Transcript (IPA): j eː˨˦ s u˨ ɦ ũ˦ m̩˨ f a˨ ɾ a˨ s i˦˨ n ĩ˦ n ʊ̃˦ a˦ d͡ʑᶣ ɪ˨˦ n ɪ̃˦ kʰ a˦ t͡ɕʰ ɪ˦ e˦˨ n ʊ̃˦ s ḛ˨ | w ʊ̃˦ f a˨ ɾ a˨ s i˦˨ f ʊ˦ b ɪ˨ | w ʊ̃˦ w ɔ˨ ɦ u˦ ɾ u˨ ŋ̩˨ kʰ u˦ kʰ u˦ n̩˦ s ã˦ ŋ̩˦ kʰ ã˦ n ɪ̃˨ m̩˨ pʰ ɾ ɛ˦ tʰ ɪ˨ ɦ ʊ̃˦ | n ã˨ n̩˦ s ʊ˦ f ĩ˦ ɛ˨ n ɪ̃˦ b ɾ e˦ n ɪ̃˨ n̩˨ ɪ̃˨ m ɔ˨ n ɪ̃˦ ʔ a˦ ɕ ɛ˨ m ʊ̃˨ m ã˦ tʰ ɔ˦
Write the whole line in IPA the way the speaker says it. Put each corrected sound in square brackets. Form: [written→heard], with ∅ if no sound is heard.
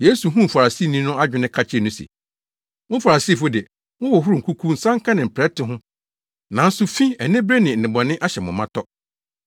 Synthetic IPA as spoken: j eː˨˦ s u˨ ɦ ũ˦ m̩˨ f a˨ ɾ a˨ s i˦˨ n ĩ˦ n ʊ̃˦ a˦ d͡ʑᶣ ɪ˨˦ n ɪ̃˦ kʰ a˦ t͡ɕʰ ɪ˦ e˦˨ n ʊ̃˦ s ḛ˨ | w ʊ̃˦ f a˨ ɾ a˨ s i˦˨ f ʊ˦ [b→d] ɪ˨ | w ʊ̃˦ w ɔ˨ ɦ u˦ ɾ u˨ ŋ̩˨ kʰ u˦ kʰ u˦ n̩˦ s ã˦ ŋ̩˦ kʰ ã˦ n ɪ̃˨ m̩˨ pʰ ɾ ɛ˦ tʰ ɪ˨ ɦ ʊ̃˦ | n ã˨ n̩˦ s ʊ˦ f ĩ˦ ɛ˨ n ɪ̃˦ b ɾ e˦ n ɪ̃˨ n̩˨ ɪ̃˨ [m→b] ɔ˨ n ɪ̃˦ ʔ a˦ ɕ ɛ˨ m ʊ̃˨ m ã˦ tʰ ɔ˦

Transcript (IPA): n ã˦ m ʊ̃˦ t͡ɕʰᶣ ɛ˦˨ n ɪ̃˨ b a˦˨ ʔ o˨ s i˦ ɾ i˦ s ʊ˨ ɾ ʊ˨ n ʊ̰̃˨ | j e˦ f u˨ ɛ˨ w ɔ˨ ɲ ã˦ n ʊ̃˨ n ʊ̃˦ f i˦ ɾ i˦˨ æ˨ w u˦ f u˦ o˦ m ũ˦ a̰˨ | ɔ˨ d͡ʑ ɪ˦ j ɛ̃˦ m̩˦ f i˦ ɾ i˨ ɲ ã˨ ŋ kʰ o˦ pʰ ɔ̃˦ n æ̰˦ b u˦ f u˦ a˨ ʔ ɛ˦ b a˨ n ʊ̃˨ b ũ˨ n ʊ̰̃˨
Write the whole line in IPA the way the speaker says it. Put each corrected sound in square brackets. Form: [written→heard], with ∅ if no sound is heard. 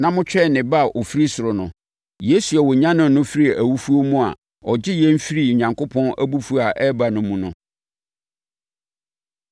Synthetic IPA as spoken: n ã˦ m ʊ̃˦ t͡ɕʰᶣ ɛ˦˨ n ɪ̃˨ b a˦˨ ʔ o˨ [s→f] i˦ ɾ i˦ s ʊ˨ ɾ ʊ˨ n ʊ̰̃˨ | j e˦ [f→s] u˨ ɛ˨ w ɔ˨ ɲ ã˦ n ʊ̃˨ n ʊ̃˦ f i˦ ɾ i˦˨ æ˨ w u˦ f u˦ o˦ m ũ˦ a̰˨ | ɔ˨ d͡ʑ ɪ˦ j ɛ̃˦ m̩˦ f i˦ ɾ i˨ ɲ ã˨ ŋ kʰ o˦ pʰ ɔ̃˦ n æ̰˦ b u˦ f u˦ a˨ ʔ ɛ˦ b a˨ n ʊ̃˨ [b→m] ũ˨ n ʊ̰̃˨

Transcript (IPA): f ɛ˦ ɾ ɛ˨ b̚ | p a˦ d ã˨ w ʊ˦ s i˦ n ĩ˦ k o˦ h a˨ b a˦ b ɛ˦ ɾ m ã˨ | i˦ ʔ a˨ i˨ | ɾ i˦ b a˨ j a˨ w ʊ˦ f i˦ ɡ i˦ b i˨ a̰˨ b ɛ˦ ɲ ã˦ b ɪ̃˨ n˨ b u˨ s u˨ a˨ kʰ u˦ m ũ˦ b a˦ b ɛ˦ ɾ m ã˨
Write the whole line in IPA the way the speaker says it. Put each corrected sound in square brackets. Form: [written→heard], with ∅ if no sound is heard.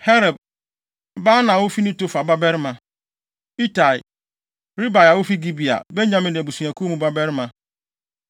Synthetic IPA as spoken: [f→h] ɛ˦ ɾ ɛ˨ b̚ | [p→b] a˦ [d→n] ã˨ w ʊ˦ [s→f] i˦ n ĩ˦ [k→t] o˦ [h→f] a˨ b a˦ b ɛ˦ ɾ m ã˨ | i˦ [ʔ→t] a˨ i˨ | ɾ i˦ b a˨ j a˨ w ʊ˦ f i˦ ɡ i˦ b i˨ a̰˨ b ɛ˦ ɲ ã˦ [b→m] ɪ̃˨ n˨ b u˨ s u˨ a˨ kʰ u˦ m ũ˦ b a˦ b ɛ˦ ɾ m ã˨

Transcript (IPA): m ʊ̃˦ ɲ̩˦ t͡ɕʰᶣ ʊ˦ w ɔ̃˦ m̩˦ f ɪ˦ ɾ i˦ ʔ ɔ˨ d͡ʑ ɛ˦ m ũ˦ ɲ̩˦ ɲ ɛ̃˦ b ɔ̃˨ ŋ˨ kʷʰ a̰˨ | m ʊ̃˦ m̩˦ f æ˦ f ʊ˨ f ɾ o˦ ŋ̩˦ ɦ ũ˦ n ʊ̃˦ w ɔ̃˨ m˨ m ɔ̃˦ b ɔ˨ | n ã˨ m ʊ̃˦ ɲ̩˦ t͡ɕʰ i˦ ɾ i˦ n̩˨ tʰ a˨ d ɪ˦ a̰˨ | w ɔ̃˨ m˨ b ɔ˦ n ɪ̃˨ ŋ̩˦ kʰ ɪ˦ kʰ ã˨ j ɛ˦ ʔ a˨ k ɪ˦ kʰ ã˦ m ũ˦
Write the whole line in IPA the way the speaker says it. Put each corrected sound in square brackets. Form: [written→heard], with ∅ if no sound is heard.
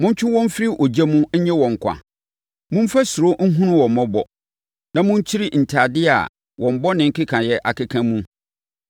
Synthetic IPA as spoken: m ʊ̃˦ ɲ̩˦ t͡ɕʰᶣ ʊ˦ w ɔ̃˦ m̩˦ f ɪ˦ ɾ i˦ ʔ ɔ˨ d͡ʑ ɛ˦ m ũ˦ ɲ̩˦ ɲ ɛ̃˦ [b→w] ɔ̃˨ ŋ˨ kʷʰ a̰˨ | m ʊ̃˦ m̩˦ f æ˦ [f→s] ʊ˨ [f→∅] ɾ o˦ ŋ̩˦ ɦ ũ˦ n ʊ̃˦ w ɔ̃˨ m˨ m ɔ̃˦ b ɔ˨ | n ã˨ m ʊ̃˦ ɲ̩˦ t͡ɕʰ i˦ ɾ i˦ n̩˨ tʰ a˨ d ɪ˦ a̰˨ | w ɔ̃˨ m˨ b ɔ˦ n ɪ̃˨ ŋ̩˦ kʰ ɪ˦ kʰ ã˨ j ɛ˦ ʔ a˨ k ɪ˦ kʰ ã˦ m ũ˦

